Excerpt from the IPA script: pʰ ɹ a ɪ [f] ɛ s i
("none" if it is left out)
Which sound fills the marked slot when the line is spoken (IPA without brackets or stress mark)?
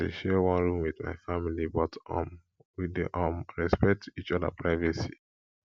v